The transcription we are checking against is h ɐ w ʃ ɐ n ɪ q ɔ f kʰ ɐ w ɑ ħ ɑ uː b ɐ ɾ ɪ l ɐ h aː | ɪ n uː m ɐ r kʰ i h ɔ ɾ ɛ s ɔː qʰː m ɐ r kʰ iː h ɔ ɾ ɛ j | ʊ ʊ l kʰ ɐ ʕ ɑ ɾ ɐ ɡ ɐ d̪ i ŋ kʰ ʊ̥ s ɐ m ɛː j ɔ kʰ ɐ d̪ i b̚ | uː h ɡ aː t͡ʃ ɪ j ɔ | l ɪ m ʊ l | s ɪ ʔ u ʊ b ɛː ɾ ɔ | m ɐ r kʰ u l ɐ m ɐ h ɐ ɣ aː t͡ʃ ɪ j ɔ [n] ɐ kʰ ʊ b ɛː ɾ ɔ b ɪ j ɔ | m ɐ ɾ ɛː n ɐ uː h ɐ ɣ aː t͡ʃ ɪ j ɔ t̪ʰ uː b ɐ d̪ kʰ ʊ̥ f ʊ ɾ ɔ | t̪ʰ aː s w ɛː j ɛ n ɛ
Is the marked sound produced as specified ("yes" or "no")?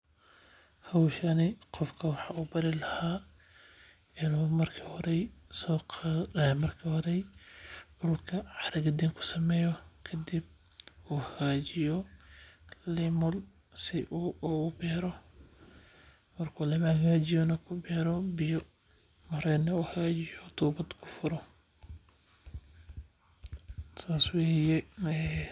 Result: yes